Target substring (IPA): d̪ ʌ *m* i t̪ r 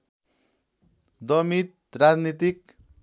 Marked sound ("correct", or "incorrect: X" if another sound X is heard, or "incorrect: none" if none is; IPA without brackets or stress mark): correct